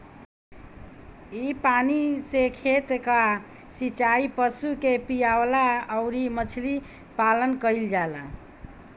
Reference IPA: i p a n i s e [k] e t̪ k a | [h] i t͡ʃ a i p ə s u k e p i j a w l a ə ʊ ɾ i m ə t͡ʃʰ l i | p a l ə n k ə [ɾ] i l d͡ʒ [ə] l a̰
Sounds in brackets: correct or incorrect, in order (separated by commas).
incorrect, incorrect, incorrect, incorrect